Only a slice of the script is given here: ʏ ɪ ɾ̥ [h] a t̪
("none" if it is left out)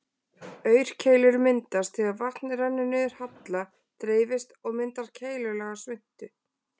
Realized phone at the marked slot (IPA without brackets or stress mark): h